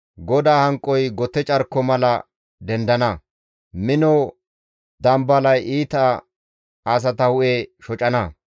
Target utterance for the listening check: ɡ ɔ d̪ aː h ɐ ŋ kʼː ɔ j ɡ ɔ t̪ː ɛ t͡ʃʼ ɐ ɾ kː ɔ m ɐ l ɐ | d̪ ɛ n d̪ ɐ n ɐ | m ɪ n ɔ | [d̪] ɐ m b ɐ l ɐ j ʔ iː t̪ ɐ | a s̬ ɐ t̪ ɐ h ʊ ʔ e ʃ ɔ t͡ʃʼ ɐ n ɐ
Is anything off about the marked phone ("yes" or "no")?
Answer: no